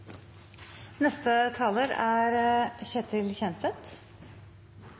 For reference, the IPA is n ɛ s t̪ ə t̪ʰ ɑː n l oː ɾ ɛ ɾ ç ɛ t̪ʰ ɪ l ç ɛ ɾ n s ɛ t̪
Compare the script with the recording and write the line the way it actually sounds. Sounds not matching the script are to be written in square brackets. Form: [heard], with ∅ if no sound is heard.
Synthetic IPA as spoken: n ɛ s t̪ ə t̪ʰ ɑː [∅] l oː ɾ [æ] ɾ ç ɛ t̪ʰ ɪ l ç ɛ [∅] n s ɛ t̪